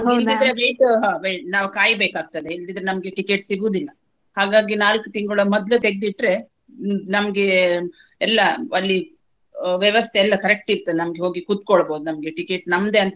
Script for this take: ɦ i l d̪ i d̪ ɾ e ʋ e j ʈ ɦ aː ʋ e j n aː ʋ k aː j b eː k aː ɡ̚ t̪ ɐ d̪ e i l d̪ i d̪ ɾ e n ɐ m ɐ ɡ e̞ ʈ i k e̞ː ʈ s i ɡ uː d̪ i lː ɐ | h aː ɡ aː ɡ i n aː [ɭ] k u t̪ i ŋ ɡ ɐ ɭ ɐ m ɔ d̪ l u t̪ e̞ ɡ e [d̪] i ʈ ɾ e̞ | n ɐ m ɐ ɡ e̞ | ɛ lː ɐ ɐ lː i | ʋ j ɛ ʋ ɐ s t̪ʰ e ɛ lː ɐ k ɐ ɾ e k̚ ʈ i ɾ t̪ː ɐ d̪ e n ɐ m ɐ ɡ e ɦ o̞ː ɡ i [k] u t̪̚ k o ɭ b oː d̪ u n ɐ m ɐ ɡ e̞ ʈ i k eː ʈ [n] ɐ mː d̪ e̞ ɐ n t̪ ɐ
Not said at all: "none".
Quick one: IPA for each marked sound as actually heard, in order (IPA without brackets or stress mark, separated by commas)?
l, d̪, k, n